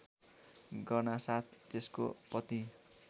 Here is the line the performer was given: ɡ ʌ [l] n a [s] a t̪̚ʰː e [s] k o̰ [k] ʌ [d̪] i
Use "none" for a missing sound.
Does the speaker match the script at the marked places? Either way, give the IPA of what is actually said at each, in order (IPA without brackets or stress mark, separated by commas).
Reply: r, s, s, p, t̪